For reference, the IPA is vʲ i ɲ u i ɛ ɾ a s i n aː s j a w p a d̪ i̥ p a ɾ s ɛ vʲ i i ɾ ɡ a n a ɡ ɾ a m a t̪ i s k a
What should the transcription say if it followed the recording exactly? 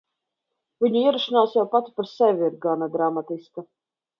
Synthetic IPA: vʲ i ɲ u i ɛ ɾ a ʃ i n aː s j a w p a t̪ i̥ p a ɾ s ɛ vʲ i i ɾ ɡ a n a ɡ ɾ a m a t̪ i s k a